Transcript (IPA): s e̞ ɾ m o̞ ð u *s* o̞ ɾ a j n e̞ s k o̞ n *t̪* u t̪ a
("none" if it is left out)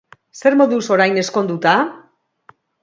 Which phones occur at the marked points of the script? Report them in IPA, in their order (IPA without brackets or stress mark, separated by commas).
s, d̪